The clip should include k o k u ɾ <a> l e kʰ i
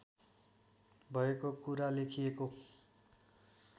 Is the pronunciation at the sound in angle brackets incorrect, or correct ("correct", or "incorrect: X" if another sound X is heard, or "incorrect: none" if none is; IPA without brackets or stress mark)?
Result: correct